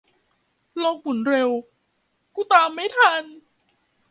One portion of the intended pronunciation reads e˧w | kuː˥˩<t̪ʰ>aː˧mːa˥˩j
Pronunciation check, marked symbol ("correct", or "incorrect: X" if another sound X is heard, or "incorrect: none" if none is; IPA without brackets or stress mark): incorrect: t̪